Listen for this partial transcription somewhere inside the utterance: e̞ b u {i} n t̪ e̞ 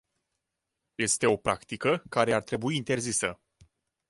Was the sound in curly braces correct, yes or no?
no